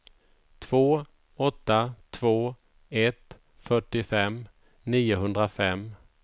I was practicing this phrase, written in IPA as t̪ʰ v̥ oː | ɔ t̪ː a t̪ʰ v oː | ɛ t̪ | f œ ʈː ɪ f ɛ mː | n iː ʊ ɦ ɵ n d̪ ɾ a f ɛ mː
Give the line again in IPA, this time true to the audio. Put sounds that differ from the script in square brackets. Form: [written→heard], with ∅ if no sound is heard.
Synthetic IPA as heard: t̪ʰ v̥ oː | ɔ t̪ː a t̪ʰ v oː | ɛ t̪ | f œ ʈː ɪ f ɛ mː | n iː ʊ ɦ ɵ n d̪ ɾ a f ɛ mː